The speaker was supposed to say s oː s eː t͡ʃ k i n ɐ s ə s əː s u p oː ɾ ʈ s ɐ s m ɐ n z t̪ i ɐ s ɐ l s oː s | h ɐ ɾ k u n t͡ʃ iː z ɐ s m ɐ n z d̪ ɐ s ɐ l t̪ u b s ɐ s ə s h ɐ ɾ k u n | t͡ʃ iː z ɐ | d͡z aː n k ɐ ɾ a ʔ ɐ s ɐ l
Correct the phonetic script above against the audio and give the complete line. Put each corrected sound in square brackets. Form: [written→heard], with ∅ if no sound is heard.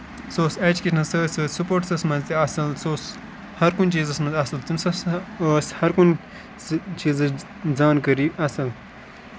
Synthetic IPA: s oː s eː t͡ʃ k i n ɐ s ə s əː s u p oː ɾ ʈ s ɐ s m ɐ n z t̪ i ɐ s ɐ l s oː s | h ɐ ɾ k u n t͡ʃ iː z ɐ s m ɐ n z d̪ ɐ s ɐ l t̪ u [b→m] s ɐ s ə s h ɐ ɾ k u n | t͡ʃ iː z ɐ | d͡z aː n k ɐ ɾ [a→i] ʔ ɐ s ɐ l

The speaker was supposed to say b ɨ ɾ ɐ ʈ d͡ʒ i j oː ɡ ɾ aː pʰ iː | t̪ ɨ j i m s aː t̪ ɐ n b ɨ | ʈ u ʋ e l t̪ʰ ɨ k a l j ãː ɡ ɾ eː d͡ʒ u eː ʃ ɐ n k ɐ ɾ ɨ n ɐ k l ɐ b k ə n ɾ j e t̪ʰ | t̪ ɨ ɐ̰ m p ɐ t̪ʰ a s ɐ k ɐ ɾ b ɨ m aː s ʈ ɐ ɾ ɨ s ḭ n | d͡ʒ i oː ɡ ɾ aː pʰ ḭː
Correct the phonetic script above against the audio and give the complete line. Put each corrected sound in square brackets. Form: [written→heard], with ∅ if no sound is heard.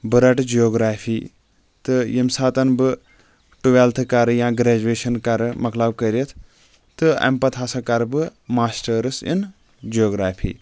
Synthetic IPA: b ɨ ɾ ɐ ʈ d͡ʒ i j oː ɡ ɾ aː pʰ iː | t̪ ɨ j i m s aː t̪ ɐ n b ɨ | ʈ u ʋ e l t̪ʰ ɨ k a [l→ɾ] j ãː ɡ ɾ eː d͡ʒ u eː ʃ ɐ n k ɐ ɾ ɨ [n→m] ɐ k l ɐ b k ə [n→∅] ɾ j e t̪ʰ | t̪ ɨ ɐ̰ m p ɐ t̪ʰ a s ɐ k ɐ ɾ b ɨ m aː s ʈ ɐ ɾ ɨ s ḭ n | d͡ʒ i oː ɡ ɾ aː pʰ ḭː

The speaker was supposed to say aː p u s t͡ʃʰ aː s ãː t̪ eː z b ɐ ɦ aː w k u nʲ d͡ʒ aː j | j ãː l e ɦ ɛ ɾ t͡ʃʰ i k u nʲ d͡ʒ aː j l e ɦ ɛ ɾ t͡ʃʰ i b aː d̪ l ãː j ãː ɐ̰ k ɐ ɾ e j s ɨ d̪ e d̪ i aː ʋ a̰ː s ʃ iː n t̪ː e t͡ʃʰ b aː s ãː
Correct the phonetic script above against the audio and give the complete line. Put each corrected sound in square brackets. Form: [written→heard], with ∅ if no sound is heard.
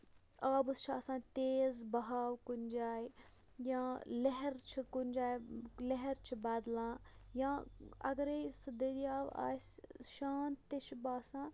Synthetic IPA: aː [p→b] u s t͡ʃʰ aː s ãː t̪ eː z b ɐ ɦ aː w k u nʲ d͡ʒ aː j | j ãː l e ɦ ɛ ɾ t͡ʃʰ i k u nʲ d͡ʒ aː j l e ɦ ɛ ɾ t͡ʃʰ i b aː d̪ l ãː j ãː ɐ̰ [k→ɡ] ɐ ɾ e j s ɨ d̪ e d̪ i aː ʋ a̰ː s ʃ [iː→aː] n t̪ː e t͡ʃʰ b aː s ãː

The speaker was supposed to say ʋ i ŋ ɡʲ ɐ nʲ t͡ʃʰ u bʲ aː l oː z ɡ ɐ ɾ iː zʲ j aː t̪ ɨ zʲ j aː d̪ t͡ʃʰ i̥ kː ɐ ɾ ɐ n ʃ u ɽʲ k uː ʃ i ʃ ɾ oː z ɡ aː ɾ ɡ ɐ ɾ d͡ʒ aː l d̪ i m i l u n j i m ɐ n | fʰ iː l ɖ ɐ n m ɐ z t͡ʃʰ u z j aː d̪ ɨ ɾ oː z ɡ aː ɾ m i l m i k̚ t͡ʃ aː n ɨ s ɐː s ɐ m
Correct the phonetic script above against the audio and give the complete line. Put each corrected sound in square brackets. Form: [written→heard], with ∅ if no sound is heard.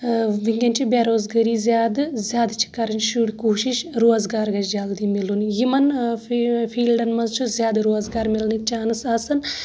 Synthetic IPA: ʋ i ŋ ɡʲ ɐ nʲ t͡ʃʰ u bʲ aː [l→ɾ] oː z ɡ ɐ ɾ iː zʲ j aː [t̪→d̪] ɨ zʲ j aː d̪ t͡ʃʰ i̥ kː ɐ ɾ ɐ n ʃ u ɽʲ k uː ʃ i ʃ ɾ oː z ɡ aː ɾ ɡ ɐ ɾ d͡ʒ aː l d̪ i m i l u n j i m ɐ n | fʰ iː l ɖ ɐ n m ɐ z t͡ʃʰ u z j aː d̪ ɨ ɾ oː z ɡ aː ɾ m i l [m→n] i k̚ t͡ʃ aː n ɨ s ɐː s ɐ [m→n]

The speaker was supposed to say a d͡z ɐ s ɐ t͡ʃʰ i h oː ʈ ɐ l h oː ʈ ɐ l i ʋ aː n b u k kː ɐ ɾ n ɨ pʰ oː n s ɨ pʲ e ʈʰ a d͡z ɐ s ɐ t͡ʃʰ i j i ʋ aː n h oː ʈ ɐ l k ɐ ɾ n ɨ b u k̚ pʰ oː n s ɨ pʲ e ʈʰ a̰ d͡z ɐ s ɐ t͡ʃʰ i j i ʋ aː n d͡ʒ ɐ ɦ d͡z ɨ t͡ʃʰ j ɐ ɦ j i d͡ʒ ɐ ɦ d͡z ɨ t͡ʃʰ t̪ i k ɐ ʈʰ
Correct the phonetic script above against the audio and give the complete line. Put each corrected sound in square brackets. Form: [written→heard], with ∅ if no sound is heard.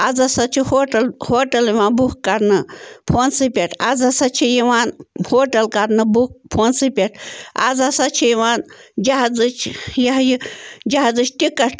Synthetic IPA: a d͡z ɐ s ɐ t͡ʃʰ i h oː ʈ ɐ l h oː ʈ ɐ l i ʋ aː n b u k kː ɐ ɾ n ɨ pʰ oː n s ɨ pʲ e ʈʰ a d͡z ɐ s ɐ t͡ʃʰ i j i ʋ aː n h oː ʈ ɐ l k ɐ ɾ n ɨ b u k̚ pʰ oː n s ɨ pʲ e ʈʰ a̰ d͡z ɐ s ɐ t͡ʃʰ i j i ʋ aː n d͡ʒ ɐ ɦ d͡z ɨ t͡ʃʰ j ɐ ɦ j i d͡ʒ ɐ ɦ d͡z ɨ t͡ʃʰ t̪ i k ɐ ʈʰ

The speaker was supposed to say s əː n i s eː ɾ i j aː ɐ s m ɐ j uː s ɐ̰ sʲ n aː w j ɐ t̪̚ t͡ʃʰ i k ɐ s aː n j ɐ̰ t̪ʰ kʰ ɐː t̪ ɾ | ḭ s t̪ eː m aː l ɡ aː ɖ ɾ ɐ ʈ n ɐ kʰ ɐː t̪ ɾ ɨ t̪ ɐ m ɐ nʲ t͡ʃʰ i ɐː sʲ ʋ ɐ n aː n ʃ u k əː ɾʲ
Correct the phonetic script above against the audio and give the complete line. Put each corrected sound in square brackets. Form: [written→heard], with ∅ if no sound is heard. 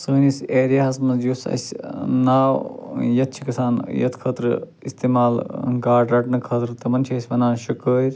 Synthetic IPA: s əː n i s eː ɾ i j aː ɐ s m ɐ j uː s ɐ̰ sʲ n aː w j ɐ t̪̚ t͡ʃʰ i k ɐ s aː n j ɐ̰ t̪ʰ kʰ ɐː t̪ ɾ | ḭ s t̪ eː m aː l ɡ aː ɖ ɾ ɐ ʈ n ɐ kʰ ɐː t̪ ɾ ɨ t̪ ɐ m ɐ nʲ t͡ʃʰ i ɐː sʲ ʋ ɐ n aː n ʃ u k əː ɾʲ

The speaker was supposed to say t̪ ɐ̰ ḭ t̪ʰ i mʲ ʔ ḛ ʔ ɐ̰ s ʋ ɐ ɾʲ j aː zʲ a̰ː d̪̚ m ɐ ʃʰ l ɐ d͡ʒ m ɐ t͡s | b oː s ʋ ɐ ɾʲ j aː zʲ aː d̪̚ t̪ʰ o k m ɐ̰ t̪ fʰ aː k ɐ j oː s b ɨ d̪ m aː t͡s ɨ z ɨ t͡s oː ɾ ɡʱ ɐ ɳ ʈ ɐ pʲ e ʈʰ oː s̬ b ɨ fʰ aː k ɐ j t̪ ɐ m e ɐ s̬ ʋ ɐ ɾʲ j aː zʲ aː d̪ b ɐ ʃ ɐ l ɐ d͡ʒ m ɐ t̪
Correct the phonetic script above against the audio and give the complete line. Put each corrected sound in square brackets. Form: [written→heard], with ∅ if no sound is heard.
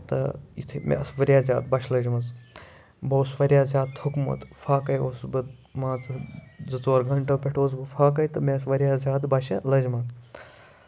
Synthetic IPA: t̪ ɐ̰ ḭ t̪ʰ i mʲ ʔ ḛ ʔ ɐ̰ s ʋ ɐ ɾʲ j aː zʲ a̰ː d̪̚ [m→b] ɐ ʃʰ l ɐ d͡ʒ m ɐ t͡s | b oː s ʋ ɐ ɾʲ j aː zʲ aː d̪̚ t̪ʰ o k m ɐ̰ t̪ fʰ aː k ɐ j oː s b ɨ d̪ m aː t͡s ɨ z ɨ t͡s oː ɾ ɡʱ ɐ ɳ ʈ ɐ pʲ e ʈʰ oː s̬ b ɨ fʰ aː k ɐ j t̪ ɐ m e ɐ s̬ ʋ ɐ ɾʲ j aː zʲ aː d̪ b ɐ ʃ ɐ l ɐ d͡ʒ m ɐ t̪

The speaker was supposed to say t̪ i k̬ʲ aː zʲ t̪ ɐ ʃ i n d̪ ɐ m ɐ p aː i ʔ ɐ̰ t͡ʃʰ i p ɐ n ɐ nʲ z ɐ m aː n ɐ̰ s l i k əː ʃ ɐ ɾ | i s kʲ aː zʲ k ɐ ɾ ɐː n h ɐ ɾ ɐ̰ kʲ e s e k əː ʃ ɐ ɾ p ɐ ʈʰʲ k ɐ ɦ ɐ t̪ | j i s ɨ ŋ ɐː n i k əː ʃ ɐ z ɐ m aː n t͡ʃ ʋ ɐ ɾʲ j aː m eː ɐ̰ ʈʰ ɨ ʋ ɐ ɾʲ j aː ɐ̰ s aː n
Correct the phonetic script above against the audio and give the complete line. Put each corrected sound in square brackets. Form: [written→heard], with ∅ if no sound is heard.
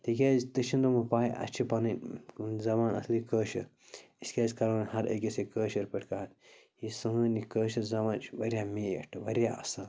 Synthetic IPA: t̪ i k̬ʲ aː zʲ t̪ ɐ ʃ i n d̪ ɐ m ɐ p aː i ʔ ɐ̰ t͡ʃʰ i p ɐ n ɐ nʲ z ɐ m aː n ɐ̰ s l i k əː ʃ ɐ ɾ | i s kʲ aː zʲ k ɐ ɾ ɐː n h ɐ ɾ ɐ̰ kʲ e s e k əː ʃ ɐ ɾ p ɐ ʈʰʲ k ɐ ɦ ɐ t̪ | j i s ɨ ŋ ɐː n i k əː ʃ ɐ z ɐ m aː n t͡ʃ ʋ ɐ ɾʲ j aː m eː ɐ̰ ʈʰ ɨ ʋ ɐ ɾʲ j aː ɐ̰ s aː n

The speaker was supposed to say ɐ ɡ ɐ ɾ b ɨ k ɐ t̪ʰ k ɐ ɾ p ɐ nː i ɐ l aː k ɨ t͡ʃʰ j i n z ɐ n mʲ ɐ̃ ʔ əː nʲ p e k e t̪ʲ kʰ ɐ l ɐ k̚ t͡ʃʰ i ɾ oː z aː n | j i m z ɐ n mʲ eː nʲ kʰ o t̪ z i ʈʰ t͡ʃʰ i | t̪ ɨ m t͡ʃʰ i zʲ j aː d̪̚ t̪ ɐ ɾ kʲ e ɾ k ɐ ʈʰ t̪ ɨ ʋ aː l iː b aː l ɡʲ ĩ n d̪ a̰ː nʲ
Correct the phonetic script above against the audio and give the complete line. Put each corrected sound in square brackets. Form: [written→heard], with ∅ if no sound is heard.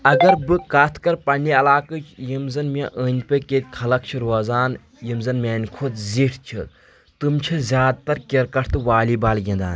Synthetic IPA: ɐ ɡ ɐ ɾ b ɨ k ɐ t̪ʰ k ɐ ɾ p ɐ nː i ɐ l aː k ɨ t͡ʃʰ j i [n→m] z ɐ n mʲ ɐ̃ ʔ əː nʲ p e k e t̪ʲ kʰ ɐ l ɐ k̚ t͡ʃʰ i ɾ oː z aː n | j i m z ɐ n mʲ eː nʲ kʰ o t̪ z i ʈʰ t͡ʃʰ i | t̪ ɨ m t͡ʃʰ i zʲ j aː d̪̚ t̪ ɐ ɾ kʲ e ɾ k ɐ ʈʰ t̪ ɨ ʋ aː l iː b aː l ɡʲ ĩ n d̪ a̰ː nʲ

